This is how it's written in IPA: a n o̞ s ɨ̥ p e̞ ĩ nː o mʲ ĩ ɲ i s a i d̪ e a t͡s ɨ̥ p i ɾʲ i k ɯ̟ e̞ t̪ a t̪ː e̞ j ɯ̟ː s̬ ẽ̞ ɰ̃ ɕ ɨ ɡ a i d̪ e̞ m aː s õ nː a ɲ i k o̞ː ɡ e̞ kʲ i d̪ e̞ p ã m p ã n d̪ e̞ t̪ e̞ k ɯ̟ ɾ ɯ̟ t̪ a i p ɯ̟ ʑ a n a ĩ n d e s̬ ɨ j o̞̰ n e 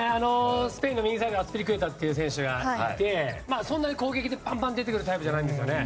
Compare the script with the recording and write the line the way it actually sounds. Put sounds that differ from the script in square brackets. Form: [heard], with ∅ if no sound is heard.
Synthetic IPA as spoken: a n o̞ s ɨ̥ p e̞ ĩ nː o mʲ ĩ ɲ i s a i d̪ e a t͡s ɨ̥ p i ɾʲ i k ɯ̟ e̞ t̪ a t̪ː e̞ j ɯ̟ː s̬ ẽ̞ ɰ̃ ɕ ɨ ɡ a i [t̪] e̞ m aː s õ nː a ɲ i k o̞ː ɡ e̞ kʲ i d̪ e̞ p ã m p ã n d̪ e̞ t̪ e̞ k ɯ̟ ɾ ɯ̟ t̪ a i p ɯ̟ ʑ a n a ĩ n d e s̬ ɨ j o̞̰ n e